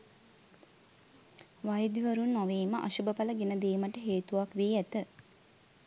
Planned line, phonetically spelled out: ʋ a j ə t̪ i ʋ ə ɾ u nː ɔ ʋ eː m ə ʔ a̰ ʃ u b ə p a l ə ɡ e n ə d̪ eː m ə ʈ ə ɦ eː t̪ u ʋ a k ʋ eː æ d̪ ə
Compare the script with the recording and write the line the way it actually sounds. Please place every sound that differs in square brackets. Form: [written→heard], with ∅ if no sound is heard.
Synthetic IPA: ʋ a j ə [t̪→d̪] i ʋ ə ɾ u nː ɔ ʋ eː m ə ʔ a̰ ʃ u b ə p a l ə ɡ e n ə d̪ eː m ə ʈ ə ɦ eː t̪ u ʋ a k ʋ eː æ [d̪→t̪] ə